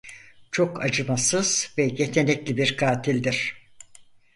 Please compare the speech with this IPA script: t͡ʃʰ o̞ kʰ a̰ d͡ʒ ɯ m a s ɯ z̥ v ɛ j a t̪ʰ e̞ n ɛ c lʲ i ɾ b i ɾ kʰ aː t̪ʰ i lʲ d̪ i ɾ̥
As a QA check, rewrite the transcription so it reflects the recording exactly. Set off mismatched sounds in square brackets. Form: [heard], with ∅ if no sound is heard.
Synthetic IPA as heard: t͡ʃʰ o̞ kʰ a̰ d͡ʒ ɯ m a s ɯ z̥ v ɛ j [e] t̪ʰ e̞ n ɛ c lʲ i [∅] b i ɾ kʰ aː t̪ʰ i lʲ d̪ i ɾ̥